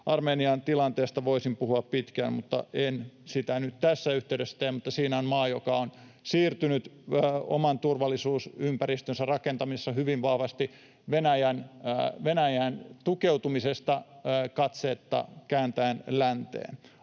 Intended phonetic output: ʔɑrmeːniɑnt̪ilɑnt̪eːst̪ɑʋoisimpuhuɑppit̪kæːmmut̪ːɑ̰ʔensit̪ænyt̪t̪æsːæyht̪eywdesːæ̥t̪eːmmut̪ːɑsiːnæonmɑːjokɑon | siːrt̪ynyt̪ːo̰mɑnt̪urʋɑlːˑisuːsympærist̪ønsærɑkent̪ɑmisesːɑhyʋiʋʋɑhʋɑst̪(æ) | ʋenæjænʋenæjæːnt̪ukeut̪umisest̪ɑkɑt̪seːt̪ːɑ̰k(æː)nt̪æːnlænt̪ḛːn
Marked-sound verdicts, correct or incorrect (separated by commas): incorrect, correct